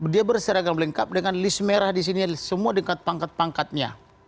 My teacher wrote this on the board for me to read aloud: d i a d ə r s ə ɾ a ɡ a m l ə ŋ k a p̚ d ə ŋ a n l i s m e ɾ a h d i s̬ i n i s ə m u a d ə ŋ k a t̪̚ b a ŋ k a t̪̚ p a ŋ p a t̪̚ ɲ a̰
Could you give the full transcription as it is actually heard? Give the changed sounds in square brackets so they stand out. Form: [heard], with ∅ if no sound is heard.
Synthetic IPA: d i a [b] ə r s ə ɾ a ɡ a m l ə ŋ k a p̚ d ə ŋ a n l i s m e ɾ a h d i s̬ i n i s ə m u a d ə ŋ k a t̪̚ [p] a ŋ k a t̪̚ p a ŋ [k] a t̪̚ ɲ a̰